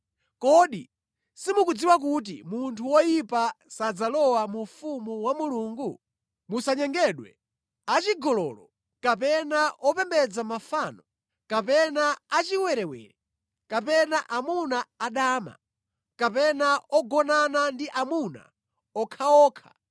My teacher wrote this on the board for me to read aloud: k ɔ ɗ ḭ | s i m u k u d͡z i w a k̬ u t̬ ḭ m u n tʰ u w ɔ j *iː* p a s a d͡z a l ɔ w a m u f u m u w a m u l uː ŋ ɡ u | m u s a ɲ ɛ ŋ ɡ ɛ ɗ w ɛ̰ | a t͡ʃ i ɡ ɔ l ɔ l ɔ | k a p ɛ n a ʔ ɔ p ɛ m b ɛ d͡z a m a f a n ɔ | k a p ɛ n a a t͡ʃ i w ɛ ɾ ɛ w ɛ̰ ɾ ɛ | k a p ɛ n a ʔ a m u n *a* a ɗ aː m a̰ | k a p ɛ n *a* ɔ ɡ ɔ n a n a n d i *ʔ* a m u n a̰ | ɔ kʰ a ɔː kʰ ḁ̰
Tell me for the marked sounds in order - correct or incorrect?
incorrect: i, correct, correct, correct

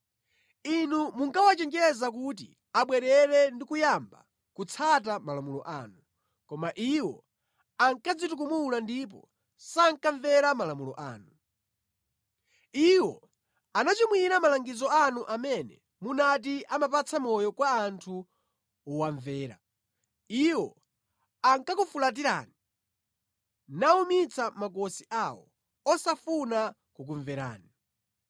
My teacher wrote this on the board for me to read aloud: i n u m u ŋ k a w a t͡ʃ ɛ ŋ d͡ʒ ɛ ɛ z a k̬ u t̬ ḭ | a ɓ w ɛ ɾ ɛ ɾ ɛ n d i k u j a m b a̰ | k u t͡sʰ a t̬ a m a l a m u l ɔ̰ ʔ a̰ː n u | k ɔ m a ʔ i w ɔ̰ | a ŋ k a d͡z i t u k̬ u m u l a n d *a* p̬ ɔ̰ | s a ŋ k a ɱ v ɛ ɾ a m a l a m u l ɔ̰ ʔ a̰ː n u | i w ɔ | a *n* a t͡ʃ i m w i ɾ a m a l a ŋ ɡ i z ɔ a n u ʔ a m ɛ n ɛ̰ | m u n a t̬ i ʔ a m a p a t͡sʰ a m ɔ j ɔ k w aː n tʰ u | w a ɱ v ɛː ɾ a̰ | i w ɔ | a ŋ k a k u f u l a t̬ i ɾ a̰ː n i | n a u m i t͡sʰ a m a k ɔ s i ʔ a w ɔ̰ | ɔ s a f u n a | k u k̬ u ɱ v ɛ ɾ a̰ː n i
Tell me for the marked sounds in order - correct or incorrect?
incorrect: i, correct

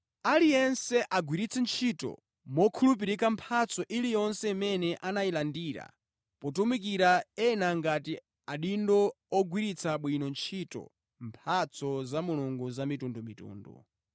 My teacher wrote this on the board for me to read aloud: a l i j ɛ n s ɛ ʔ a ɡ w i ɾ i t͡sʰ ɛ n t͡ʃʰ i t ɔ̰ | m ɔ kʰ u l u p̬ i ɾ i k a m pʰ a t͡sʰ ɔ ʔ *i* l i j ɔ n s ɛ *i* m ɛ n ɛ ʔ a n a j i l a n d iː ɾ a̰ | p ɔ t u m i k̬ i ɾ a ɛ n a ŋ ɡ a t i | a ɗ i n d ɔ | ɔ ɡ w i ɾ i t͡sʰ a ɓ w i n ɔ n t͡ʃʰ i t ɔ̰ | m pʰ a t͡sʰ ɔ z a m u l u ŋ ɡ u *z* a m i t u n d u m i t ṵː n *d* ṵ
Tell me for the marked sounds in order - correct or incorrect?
correct, correct, correct, correct

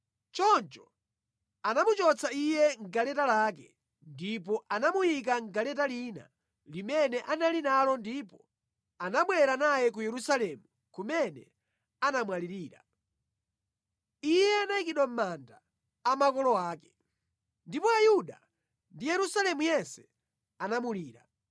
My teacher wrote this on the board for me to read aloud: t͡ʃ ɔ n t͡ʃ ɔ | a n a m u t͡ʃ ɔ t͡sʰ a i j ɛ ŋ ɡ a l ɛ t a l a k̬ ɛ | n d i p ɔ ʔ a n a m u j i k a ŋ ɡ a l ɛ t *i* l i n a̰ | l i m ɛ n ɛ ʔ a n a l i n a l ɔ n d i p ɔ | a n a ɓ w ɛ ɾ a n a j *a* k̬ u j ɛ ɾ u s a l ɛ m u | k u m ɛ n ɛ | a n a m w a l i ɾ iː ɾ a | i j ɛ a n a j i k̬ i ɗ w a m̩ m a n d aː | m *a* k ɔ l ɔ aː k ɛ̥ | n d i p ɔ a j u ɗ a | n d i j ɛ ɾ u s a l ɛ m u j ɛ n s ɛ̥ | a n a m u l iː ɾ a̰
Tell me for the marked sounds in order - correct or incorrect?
incorrect: a, incorrect: ɛ, correct

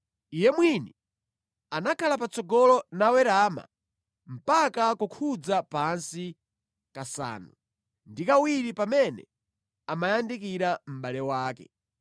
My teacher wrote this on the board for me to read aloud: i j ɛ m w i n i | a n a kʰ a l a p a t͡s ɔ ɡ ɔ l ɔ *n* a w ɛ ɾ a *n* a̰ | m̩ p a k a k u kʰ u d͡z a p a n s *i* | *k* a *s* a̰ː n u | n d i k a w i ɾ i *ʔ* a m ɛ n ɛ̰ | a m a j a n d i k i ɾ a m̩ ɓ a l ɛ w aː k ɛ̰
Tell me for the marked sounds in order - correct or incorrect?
correct, incorrect: m, correct, correct, correct, incorrect: p

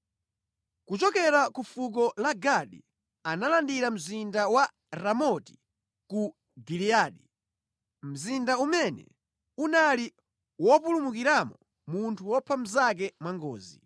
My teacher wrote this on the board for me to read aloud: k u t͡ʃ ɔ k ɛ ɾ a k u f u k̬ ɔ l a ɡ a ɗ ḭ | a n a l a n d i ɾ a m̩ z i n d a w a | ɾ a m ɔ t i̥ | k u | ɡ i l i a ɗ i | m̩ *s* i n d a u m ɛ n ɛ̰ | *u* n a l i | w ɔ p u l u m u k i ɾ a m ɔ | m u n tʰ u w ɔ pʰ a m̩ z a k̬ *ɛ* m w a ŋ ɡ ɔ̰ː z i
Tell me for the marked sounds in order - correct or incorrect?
incorrect: z, correct, correct

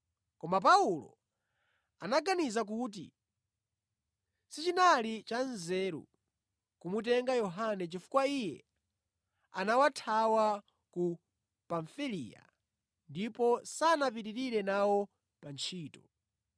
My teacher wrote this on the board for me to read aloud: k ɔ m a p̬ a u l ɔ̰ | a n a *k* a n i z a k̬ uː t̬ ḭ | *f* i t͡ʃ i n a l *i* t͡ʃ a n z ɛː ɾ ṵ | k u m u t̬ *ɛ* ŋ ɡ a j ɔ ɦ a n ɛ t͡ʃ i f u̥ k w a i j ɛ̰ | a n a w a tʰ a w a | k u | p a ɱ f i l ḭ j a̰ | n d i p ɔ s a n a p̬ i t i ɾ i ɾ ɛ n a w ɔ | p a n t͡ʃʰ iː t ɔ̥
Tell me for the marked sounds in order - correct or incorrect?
incorrect: ɡ, incorrect: s, correct, correct

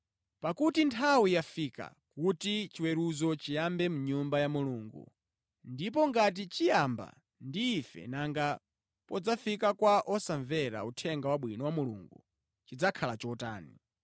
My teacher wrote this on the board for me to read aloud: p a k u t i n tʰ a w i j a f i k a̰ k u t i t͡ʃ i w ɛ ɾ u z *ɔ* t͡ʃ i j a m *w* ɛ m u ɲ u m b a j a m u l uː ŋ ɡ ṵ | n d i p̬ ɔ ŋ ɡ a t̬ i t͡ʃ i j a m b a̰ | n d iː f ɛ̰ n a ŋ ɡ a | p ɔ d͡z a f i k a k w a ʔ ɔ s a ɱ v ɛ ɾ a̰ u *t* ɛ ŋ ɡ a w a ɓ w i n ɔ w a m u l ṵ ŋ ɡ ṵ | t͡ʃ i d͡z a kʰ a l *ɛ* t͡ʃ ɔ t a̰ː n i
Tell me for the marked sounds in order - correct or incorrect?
correct, incorrect: b, incorrect: tʰ, incorrect: a

